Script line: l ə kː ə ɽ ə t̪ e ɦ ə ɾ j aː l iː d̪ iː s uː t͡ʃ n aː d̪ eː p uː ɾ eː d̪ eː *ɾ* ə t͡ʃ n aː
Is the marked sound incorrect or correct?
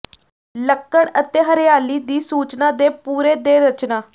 correct